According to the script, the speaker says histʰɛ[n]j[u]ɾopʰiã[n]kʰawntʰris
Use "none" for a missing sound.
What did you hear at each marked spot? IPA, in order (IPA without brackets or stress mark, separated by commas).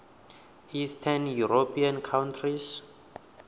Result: n, u, n